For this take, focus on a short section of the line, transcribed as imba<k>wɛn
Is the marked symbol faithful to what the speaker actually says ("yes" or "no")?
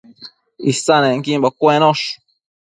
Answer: yes